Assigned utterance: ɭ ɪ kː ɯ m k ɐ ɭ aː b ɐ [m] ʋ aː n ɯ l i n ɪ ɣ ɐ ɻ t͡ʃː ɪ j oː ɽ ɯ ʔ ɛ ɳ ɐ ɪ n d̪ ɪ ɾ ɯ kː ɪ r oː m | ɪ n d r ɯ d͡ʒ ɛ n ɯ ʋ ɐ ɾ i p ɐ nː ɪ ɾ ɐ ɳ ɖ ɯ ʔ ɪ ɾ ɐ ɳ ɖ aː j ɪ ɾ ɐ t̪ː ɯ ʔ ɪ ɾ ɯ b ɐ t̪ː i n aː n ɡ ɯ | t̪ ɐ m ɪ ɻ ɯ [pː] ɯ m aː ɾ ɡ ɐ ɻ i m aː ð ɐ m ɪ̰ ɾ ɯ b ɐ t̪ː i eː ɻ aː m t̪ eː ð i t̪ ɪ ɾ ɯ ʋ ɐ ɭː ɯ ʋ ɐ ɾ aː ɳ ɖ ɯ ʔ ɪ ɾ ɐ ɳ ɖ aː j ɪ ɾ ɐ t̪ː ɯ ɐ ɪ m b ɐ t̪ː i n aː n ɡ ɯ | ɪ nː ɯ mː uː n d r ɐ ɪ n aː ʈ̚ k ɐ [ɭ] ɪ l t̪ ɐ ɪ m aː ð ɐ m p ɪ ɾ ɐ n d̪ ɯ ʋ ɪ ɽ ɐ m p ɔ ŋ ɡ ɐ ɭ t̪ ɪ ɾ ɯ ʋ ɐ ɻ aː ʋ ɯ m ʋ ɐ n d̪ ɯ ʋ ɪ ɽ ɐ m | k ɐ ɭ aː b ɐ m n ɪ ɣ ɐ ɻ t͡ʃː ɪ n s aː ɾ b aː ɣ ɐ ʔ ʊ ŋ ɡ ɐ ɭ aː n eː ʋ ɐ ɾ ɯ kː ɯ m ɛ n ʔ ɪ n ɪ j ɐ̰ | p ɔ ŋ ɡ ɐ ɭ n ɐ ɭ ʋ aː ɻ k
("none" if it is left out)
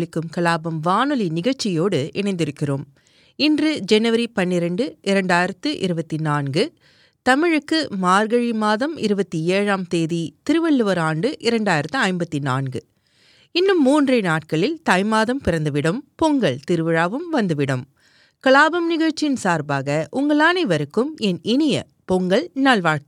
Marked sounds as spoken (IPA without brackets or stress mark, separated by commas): m, kː, ɭ